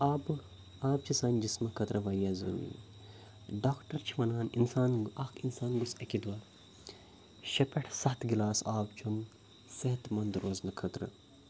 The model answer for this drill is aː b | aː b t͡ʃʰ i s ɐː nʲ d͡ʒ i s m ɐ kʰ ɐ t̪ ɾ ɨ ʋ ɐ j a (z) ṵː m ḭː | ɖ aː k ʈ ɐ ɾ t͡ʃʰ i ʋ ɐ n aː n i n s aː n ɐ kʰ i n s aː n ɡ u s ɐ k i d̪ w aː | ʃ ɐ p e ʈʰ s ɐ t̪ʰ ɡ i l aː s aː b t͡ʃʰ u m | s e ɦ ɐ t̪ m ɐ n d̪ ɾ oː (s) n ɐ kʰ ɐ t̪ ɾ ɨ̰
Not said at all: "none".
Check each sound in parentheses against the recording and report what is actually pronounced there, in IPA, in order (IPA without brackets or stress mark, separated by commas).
z, z